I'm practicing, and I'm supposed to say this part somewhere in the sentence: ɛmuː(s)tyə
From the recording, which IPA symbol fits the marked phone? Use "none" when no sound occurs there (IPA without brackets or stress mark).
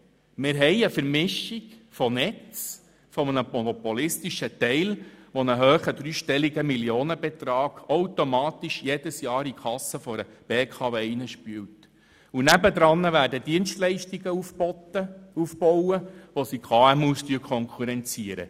s